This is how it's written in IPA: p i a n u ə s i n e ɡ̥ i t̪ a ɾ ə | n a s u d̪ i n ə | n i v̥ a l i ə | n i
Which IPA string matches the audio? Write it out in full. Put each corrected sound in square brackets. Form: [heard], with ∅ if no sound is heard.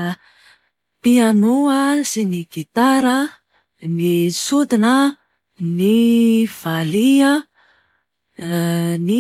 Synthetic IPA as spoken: p i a n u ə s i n [i] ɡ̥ i t̪ a ɾ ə | n [i] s u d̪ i n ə | n i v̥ a l i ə | n i